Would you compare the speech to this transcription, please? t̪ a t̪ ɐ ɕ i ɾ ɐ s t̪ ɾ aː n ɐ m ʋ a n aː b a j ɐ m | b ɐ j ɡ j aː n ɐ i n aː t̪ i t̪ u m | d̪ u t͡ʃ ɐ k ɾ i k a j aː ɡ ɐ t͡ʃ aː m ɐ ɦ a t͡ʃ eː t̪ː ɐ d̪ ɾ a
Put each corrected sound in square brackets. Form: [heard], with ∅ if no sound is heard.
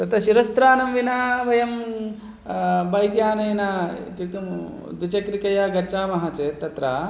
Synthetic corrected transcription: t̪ [ɐ] t̪ ɐ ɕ i ɾ ɐ s t̪ ɾ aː n ɐ m ʋ [i] n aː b [ɐ] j ɐ m | b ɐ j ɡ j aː n ɐ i n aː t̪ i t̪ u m | d̪ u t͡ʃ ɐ k ɾ i k [ɐ] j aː ɡ ɐ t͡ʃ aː m ɐ ɦ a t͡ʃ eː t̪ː ɐ [t̪] ɾ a